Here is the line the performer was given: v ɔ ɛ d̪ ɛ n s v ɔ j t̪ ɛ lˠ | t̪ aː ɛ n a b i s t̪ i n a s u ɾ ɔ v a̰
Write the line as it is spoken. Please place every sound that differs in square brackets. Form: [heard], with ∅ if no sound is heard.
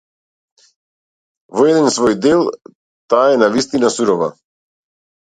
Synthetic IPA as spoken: v ɔ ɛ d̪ ɛ n s v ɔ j [d̪] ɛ lˠ | t̪ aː ɛ n a [v] i s t̪ i n a s u ɾ ɔ v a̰